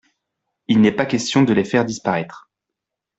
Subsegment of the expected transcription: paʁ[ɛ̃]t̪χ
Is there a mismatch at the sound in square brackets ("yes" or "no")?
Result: yes